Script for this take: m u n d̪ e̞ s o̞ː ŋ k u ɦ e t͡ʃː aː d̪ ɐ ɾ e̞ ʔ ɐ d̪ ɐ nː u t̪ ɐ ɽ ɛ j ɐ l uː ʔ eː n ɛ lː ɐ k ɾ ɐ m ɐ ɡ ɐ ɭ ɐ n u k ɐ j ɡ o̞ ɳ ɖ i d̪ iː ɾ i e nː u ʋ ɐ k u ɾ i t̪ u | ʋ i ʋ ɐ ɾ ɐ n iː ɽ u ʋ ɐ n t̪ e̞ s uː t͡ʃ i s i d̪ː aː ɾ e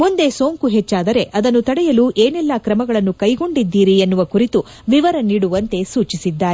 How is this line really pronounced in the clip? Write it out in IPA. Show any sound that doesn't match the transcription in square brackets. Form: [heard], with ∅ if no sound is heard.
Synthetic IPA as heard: m u n d̪ e̞ s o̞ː ŋ k u ɦ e t͡ʃː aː d̪ ɐ ɾ e̞ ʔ ɐ d̪ ɐ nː u t̪ ɐ ɽ ɛ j ɐ l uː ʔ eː n ɛ lː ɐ k ɾ ɐ m ɐ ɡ ɐ ɭ ɐ [nː] u k ɐ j ɡ o̞ ɳ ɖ i [d̪ː] iː ɾ i e nː u ʋ ɐ k u ɾ i t̪ u | ʋ i ʋ ɐ ɾ ɐ n iː ɽ u ʋ ɐ n t̪ e̞ s uː t͡ʃ i s i d̪ː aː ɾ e